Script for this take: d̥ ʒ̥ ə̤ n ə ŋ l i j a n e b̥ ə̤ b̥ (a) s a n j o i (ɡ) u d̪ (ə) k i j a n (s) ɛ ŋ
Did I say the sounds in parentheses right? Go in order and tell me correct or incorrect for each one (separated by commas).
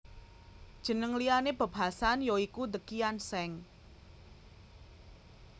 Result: correct, incorrect, correct, correct